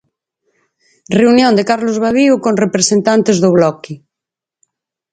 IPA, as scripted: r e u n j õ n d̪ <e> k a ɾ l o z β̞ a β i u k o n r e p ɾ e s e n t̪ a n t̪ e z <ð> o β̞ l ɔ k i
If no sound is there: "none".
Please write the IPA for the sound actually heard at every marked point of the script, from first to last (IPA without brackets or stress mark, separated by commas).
e, ð